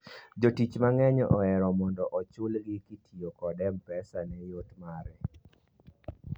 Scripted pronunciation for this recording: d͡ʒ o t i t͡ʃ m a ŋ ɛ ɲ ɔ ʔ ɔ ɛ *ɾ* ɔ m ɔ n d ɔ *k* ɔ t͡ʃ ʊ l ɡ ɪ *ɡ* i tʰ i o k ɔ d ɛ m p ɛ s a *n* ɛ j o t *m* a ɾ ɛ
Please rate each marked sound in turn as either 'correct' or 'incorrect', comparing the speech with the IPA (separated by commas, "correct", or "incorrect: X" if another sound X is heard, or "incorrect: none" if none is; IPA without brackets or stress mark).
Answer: correct, incorrect: ʔ, incorrect: k, correct, correct